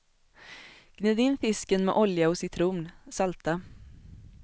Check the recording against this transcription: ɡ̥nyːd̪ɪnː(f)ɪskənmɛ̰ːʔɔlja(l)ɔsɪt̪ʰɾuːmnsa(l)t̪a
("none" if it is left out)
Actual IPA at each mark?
f, none, l

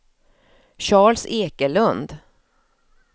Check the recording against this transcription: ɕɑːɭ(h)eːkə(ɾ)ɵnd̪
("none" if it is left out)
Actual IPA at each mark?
s, l

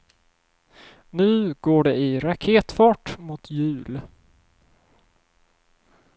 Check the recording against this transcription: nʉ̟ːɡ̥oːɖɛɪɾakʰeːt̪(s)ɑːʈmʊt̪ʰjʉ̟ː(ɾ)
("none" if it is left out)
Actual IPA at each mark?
f, l

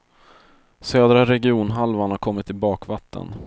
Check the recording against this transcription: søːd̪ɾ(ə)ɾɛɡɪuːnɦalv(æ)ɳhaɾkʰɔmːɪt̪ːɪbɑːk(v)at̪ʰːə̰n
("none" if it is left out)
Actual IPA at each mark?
a, a, v

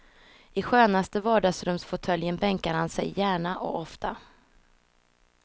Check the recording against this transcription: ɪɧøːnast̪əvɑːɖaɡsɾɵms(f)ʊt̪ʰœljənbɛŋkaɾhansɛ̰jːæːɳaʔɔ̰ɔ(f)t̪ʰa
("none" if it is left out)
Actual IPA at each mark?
f, f

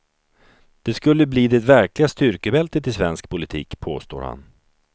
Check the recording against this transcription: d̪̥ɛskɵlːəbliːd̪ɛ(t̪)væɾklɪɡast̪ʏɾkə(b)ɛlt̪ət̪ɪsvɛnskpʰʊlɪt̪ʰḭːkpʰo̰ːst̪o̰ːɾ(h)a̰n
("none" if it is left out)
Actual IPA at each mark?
t̪, b, h

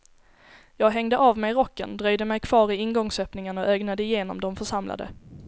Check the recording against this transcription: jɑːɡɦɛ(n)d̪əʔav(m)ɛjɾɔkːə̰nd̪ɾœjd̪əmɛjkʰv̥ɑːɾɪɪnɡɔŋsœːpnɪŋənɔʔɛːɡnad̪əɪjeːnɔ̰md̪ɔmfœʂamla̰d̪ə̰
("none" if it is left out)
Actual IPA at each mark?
ŋ, m

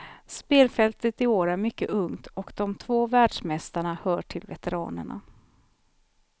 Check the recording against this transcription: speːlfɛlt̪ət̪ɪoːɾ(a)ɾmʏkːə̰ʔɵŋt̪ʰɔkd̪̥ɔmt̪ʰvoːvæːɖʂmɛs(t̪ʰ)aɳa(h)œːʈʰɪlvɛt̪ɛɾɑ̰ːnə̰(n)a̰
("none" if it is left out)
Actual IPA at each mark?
æ, t̪, h, ɳ

